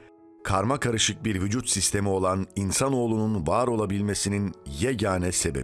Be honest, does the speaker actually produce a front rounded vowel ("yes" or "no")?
yes